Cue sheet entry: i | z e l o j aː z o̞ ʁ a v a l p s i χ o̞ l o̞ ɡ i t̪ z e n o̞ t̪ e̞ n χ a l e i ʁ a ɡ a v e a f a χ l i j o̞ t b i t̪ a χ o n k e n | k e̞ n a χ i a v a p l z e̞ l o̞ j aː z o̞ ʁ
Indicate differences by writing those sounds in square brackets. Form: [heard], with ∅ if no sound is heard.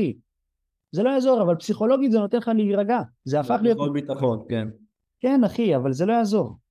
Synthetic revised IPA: i | z e l o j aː z o̞ ʁ a v a l p s i χ o̞ l o̞ ɡ i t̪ z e n o̞ t̪ e̞ n χ a l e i ʁ a ɡ a [z] e a f a χ l i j o̞ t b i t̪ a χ o n k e n | k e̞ n a χ i a v a [∅] l z e̞ l o̞ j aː z o̞ ʁ